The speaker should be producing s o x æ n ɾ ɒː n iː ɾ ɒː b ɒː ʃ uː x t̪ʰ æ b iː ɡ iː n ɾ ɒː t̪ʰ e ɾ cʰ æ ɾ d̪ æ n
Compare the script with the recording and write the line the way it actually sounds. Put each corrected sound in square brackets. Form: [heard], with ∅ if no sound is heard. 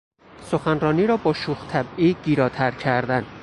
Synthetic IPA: s o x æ n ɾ ɒː n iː ɾ ɒː b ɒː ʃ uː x t̪ʰ æ b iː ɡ iː [∅] ɾ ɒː t̪ʰ [æ] ɾ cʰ æ ɾ d̪ æ n